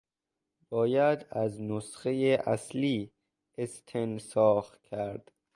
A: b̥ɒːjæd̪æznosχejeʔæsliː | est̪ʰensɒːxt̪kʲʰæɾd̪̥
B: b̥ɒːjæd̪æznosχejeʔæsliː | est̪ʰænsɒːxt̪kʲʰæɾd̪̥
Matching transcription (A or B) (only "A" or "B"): A